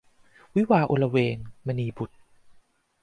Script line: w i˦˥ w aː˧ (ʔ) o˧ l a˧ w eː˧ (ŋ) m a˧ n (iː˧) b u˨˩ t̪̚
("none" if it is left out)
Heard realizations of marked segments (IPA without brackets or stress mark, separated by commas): ʔ, ŋ, iː˧